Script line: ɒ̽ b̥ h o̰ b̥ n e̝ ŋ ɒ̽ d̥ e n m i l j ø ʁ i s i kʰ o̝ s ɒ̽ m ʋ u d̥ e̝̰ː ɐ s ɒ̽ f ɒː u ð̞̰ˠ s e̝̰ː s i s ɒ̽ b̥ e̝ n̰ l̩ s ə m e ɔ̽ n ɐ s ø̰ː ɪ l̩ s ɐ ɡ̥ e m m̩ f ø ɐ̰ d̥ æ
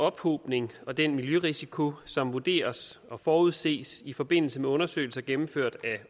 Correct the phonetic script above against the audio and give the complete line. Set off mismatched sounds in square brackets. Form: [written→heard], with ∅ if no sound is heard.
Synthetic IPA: ɒ̽ b̥ h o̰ b̥ n e̝ ŋ ɒ̽ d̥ e n m i l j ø ʁ i s i kʰ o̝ s ɒ̽ m ʋ u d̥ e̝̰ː ɐ s ɒ̽ f ɒː u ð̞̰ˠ s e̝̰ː s i [s→f] ɒ̽ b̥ e̝ n̰ l̩ s ə m e ɔ̽ n ɐ s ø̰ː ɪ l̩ s ɐ ɡ̥ e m m̩ f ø ɐ̰ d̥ æ